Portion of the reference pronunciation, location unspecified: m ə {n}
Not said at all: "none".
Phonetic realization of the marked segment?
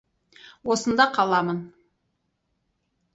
n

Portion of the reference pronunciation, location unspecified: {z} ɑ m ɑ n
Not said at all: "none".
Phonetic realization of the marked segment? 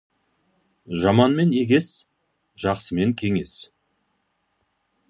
ʒ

